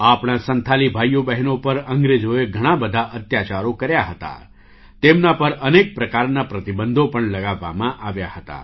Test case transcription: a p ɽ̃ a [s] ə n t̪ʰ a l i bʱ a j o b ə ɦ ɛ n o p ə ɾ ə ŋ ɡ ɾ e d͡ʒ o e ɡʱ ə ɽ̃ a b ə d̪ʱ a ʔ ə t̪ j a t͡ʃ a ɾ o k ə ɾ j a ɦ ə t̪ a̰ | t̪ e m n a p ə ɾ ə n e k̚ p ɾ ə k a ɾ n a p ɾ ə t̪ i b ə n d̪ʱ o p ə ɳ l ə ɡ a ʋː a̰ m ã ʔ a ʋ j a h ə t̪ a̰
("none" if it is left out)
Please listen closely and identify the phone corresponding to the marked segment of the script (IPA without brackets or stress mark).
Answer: s